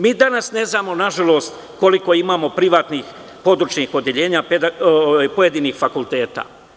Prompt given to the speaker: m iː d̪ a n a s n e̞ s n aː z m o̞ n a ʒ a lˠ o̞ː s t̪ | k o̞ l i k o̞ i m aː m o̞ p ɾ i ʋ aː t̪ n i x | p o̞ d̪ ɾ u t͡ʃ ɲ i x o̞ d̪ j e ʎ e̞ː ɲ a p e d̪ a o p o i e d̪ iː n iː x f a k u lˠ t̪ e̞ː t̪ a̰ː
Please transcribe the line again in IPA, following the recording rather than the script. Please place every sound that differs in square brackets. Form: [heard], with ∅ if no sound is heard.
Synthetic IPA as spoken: m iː d̪ a n a s n e̞ [z] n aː [∅] m o̞ n a ʒ a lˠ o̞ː s t̪ | k o̞ l i k o̞ i m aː m o̞ p ɾ i ʋ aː t̪ n i x | p o̞ d̪ ɾ u t͡ʃ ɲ i x o̞ d̪ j e ʎ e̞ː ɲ a p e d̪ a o p o [j] e d̪ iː n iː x f a k u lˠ t̪ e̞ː t̪ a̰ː